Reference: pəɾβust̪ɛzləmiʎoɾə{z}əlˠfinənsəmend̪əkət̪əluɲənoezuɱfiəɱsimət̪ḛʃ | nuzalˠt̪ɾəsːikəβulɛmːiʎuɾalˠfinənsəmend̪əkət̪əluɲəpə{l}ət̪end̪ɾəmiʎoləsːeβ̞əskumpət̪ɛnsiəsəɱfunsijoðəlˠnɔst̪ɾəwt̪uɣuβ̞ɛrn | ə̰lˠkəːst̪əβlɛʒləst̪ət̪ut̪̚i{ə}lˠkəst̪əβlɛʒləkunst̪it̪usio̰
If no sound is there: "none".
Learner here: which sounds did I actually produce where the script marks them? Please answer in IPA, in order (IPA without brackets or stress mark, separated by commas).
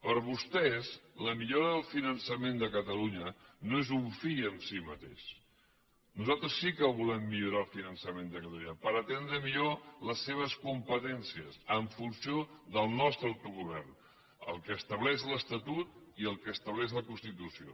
ð, ɾ, ə